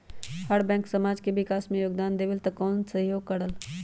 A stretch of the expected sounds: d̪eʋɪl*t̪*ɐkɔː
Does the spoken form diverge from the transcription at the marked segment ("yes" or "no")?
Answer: no